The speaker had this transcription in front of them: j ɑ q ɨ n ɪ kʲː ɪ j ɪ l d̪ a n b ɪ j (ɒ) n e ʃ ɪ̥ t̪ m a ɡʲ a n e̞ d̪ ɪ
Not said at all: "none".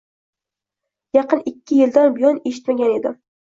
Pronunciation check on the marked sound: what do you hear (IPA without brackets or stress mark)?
ɒ